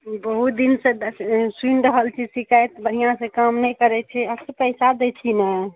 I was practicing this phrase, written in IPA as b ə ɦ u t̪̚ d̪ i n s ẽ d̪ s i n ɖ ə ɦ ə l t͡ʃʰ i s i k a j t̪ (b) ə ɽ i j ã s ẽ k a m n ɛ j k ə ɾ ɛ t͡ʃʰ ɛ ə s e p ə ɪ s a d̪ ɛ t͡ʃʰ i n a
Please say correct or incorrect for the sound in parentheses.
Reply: correct